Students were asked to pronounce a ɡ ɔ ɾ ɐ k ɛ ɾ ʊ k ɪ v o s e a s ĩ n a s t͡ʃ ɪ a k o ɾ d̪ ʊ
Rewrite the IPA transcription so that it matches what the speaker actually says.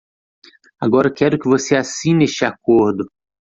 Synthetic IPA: a ɡ ɔ ɾ ɐ k ɛ ɾ ʊ k ɪ v o s e a s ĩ n e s t͡ʃ ɪ a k o ɾ d̪ ʊ